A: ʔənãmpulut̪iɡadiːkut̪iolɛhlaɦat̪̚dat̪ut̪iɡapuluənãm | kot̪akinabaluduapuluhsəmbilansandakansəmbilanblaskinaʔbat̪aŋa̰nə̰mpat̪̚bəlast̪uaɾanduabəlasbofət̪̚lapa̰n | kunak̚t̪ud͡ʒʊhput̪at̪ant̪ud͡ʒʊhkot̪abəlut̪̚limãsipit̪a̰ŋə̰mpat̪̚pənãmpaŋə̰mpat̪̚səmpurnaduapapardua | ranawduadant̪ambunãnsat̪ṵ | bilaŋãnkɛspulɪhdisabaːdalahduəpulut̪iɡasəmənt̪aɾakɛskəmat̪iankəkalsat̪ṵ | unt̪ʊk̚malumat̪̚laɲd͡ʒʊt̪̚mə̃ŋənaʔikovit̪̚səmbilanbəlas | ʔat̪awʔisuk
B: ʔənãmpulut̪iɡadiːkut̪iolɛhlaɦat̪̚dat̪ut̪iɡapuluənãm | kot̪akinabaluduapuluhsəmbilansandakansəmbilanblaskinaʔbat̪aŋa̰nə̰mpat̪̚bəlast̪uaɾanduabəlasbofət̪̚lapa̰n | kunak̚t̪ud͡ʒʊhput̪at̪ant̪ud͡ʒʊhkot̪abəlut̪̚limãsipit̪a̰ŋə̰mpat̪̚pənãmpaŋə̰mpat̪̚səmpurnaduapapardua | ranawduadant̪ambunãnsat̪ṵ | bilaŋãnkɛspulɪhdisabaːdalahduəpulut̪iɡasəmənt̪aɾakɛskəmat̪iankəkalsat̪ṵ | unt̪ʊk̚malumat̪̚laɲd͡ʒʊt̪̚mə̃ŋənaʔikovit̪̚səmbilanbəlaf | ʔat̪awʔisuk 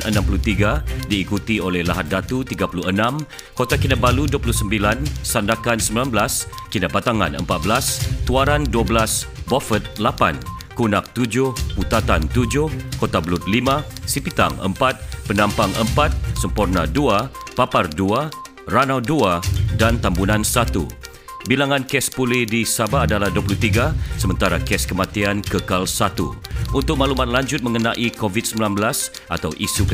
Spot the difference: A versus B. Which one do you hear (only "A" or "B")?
A